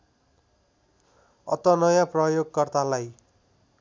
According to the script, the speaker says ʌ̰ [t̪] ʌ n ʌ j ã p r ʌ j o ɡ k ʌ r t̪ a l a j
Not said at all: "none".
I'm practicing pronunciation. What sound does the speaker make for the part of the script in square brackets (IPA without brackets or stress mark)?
t̪